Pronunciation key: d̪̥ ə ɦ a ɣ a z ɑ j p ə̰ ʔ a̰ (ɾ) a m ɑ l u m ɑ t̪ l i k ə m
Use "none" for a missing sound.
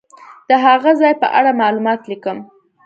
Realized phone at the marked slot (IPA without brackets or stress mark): ɽ